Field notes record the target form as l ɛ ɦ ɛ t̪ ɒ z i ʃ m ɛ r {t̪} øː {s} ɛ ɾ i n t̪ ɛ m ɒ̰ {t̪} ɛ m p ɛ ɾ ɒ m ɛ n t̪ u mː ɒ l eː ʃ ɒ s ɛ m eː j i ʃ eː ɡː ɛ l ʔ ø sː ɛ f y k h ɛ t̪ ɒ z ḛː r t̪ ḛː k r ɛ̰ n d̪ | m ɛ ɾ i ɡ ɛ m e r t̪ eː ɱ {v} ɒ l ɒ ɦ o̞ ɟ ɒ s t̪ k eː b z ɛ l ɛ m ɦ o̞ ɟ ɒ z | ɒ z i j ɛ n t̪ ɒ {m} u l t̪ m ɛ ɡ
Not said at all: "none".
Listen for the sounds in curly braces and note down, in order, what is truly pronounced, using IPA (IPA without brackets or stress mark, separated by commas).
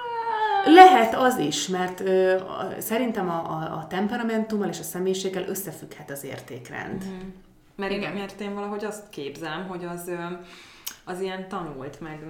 t̪, s, t̪, v, n